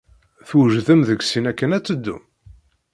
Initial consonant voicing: voiceless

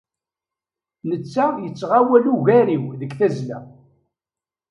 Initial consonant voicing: voiced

